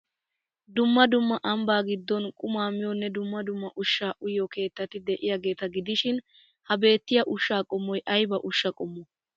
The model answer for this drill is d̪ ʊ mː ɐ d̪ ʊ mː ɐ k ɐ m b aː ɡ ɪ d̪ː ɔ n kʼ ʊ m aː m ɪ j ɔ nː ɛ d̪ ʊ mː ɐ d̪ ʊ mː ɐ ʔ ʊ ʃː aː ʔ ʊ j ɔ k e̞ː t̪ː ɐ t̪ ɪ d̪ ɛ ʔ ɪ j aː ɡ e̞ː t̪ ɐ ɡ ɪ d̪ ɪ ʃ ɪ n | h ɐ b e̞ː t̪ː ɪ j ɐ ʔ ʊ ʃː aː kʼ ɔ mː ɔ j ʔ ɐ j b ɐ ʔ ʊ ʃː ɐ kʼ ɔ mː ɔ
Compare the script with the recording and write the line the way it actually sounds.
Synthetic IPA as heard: d̪ ʊ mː ɐ d̪ ʊ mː ɐ ʔ ɐ m b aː ɡ ɪ d̪ː ɔ n kʼ ʊ m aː m ɪ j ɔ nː ɛ d̪ ʊ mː ɐ d̪ ʊ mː ɐ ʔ ʊ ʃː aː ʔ ʊ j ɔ k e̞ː t̪ː ɐ t̪ ɪ d̪ ɛ ʔ ɪ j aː ɡ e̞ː t̪ ɐ ɡ ɪ d̪ ɪ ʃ ɪ n | h ɐ b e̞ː t̪ː ɪ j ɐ ʔ ʊ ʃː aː kʼ ɔ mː ɔ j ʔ ɐ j b ɐ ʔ ʊ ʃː ɐ kʼ ɔ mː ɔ